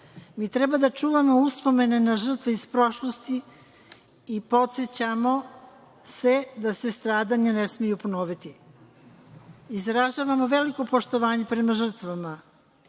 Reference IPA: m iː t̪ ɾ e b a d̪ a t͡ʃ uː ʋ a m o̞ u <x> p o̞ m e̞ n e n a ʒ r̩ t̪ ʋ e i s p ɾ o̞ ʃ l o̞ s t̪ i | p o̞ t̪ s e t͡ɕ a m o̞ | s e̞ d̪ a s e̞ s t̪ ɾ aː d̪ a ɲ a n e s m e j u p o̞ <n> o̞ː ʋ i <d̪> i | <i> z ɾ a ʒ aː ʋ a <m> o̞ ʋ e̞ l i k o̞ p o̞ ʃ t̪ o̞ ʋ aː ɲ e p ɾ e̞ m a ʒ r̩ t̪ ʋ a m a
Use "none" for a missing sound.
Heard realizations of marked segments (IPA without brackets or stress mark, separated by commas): s, n, t̪, i, m